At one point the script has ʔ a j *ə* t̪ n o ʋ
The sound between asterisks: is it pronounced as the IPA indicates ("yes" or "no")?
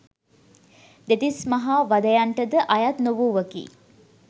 no